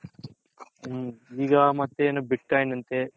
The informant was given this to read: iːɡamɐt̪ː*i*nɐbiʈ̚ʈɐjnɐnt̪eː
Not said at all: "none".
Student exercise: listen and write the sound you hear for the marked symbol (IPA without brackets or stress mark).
e